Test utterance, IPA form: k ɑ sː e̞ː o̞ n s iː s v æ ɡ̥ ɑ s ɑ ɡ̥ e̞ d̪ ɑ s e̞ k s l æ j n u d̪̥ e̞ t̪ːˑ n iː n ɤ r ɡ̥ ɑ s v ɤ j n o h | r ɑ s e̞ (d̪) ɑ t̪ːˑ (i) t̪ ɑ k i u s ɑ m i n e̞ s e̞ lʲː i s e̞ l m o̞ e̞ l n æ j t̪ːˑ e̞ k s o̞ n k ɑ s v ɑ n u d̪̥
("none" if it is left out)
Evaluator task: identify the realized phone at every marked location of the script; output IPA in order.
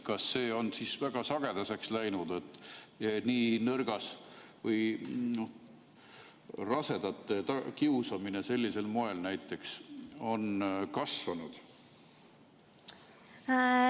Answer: d̪, e

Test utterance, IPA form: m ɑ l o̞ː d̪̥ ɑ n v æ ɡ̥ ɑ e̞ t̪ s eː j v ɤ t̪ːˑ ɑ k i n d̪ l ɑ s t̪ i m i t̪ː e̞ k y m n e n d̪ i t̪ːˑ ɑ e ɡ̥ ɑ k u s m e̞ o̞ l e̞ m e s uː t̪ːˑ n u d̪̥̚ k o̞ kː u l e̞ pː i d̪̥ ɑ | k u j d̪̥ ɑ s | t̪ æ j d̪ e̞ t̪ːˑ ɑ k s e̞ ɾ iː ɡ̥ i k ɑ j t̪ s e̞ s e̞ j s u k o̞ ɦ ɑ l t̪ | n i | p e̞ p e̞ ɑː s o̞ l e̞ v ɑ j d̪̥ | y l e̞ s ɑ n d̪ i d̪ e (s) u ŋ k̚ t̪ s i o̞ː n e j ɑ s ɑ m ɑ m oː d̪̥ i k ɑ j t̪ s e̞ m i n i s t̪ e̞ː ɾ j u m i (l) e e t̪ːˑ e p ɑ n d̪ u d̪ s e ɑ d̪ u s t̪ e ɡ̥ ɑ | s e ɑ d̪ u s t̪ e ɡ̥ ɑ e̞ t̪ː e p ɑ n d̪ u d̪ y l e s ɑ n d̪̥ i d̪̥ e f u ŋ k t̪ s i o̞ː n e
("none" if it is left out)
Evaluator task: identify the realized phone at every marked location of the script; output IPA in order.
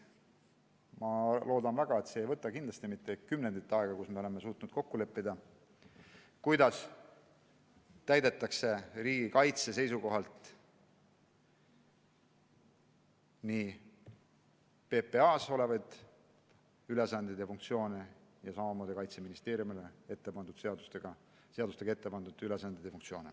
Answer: f, l

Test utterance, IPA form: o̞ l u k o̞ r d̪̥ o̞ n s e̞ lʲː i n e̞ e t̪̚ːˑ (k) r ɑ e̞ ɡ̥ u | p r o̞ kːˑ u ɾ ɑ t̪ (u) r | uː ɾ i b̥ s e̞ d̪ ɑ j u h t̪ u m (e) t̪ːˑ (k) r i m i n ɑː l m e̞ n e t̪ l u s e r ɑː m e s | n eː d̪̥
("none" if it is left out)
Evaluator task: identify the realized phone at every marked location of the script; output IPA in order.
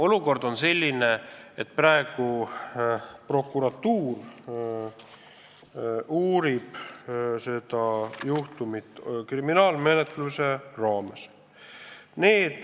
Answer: p, uː, i, k

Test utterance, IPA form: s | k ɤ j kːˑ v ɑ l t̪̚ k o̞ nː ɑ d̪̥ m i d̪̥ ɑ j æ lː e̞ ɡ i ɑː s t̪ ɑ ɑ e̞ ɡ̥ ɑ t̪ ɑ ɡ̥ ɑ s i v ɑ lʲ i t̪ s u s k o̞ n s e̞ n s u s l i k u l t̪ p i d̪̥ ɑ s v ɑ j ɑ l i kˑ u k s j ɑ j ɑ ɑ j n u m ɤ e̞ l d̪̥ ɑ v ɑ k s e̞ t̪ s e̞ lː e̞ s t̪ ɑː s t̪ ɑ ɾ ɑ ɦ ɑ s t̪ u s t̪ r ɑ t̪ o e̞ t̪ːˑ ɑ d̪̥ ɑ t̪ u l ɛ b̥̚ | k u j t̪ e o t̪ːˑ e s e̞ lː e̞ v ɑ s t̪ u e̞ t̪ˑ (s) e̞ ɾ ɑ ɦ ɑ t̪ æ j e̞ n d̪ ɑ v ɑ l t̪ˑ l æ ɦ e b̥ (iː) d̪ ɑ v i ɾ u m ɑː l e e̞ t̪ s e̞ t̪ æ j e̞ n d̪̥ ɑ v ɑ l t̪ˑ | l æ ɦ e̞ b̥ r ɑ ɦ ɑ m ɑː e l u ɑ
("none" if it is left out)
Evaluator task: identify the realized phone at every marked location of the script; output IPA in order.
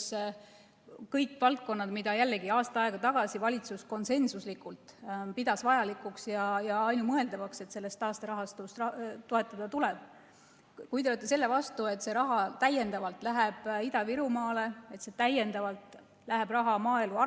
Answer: s, i

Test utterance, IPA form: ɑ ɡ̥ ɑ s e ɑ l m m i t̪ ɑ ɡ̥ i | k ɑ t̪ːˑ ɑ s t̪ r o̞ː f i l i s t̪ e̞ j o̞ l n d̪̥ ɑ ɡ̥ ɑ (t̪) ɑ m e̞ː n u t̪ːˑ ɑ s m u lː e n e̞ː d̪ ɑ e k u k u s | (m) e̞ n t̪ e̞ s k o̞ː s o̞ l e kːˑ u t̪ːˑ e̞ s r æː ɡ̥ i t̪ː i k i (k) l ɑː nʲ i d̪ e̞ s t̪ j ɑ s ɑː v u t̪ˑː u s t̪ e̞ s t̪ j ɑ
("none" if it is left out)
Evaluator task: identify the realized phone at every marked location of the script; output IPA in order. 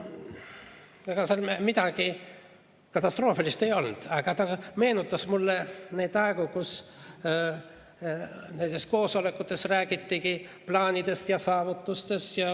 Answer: t̪, n, p

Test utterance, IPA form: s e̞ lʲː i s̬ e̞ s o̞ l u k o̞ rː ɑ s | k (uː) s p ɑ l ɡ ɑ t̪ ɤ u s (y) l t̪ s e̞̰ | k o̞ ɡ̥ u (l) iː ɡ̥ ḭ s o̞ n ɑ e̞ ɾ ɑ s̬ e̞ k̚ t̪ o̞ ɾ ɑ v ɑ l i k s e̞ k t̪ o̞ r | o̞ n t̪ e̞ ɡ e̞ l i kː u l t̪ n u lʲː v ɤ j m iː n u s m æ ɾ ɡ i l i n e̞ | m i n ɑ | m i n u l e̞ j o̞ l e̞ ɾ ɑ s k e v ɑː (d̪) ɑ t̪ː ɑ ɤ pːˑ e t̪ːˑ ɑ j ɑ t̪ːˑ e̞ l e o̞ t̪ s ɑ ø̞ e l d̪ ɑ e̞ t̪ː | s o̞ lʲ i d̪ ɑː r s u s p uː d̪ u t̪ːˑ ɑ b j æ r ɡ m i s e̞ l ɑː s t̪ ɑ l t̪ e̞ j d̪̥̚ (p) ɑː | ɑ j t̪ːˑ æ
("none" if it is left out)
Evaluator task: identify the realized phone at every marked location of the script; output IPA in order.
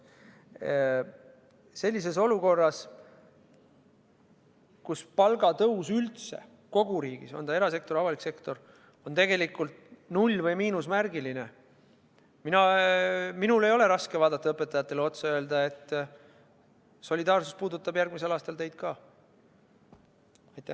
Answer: u, y, ɾ, d̪, k

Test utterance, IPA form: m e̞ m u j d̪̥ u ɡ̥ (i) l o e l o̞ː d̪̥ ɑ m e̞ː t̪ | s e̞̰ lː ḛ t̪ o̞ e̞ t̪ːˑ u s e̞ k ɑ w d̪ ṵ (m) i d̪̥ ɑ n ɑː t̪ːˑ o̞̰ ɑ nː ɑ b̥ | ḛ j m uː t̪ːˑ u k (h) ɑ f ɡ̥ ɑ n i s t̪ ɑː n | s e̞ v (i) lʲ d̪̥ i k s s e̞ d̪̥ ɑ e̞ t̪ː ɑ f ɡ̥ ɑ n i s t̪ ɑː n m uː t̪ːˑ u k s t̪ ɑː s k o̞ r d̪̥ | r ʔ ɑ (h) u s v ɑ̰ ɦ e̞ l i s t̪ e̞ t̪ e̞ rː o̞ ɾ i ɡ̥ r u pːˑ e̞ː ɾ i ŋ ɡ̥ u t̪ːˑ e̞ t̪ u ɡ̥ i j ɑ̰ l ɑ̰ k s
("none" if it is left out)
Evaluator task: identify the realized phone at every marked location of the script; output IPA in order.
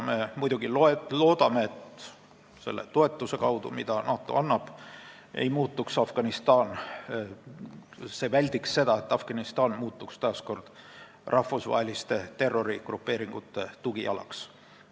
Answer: i, m, s, æ, f

